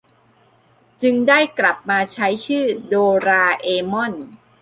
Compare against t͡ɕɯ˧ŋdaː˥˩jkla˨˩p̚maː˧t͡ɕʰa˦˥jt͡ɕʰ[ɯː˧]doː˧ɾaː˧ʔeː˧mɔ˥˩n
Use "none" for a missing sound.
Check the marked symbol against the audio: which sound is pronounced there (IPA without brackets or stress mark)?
ɯː˥˩